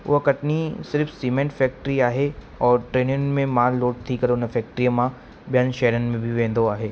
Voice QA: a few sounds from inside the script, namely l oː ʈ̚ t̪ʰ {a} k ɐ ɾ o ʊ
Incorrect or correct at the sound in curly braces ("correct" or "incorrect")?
incorrect